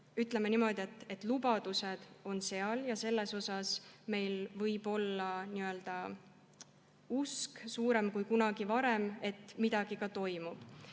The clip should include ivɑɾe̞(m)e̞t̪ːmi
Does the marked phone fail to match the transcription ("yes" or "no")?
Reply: no